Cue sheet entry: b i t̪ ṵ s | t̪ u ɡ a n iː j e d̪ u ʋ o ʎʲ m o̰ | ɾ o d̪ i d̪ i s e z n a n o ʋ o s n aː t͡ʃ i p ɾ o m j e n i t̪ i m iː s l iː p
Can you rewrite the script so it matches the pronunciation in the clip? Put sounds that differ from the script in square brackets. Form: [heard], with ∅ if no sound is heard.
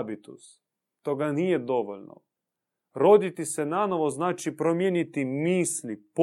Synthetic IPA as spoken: b i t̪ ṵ s | t̪ [o] ɡ a n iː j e d̪ [o] ʋ o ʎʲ [n] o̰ | ɾ o d̪ i [t̪] i s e [∅] n a n o ʋ o [z] n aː t͡ʃ i p ɾ o m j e n i t̪ i m iː s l [i] p